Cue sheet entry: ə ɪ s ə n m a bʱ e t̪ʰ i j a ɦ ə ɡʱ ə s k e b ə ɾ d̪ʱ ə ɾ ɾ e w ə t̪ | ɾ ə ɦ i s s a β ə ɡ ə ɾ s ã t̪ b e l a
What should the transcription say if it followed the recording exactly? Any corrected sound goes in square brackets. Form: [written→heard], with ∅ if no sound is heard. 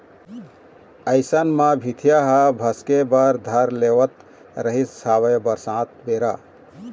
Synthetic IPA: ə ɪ s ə n m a bʱ [e→i] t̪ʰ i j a ɦ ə [ɡʱ→bʱ] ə s k e b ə ɾ d̪ʱ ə ɾ [ɾ→l] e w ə t̪ | ɾ ə ɦ i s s a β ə [ɡ→b] ə ɾ s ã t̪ b e [l→ɾ] a